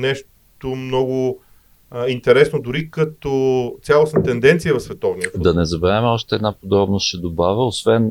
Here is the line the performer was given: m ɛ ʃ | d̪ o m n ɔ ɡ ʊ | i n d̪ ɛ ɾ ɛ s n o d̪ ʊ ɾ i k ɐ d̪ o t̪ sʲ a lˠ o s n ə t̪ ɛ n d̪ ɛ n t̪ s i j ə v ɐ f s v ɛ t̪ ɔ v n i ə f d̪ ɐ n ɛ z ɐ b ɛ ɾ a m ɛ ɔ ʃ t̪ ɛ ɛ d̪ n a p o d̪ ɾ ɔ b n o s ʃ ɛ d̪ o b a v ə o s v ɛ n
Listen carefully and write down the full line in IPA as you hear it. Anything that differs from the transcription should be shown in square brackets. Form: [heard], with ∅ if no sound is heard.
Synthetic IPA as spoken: [n] ɛ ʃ | [t̪] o m n ɔ ɡ ʊ | i n [t̪] ɛ ɾ ɛ s n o d̪ ʊ ɾ i k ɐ [t̪] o t̪ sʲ a lˠ o s n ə t̪ ɛ n d̪ ɛ n t̪ s i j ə v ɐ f s v ɛ t̪ ɔ v n i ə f d̪ ɐ n ɛ z ɐ b ɛ ɾ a m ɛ ɔ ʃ t̪ ɛ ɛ d̪ n a p o d̪ ɾ ɔ b n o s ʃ ɛ d̪ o b a v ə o s v ɛ n